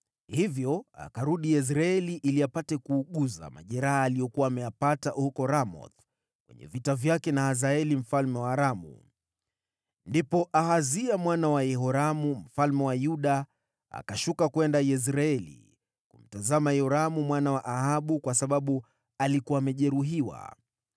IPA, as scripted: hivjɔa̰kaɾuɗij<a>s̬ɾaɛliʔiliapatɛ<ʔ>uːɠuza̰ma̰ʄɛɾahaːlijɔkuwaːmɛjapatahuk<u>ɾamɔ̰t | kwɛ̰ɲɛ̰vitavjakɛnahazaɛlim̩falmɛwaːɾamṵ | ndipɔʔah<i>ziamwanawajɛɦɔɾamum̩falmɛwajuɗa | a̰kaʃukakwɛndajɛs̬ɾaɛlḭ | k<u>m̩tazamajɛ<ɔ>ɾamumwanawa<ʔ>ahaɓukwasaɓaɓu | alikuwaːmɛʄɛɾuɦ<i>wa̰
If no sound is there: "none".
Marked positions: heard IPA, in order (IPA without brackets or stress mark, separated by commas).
ɛ, k, ɔ, a, u, ɔ, ʔ, i